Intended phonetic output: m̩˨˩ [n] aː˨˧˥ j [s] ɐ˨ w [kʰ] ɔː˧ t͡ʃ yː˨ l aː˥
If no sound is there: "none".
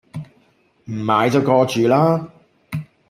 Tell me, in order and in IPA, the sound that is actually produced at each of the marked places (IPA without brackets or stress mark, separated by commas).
m, t͡s, k